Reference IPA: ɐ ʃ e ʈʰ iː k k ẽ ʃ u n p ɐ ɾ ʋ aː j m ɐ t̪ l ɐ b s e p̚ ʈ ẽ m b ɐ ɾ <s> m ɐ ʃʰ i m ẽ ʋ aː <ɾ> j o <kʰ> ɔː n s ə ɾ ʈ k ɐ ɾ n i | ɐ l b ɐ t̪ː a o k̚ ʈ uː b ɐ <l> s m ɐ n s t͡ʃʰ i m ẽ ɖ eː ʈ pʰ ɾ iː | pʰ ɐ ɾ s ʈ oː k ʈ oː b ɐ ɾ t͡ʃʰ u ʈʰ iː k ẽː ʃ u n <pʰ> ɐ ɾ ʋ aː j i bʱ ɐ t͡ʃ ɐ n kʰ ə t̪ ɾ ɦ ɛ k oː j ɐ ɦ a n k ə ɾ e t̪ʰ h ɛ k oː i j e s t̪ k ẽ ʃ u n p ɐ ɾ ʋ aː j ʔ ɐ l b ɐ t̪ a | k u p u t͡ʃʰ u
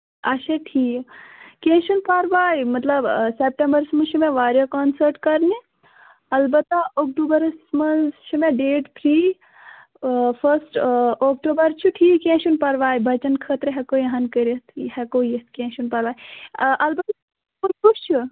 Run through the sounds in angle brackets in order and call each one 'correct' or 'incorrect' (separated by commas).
correct, correct, incorrect, incorrect, incorrect